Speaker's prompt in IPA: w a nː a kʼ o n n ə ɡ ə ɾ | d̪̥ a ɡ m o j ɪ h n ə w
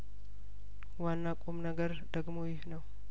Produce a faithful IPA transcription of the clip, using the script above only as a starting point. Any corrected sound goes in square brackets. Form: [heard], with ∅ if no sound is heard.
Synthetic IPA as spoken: w a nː a kʼ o [m] n ə ɡ ə ɾ | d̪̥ [ə] ɡ m o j ɪ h n ə w